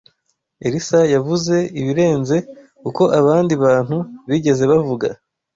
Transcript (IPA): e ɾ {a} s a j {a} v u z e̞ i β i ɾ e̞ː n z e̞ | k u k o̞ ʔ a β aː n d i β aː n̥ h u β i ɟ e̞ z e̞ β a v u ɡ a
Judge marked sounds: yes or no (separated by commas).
no, yes